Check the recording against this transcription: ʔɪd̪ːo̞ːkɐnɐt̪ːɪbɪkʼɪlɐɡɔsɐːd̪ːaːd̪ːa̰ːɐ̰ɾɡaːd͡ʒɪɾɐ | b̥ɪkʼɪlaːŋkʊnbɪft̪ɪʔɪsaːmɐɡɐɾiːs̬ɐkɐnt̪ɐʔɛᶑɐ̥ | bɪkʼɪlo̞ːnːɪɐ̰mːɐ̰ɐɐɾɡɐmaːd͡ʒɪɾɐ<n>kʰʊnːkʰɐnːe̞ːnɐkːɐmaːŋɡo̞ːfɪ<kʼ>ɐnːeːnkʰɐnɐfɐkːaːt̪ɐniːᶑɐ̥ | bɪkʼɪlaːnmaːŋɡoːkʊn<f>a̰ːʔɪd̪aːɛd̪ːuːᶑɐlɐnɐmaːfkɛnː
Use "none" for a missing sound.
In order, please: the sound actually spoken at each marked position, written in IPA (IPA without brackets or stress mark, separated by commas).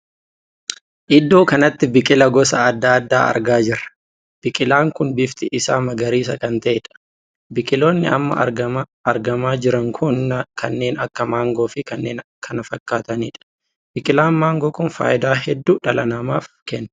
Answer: ŋ, k, f